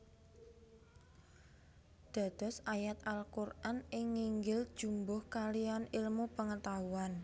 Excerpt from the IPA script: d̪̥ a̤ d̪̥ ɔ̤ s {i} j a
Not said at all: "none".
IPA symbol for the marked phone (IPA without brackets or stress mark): a